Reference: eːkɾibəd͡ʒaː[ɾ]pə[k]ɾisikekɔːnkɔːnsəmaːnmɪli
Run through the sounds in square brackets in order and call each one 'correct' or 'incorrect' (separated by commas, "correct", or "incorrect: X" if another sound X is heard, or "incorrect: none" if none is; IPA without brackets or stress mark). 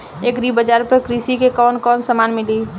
correct, correct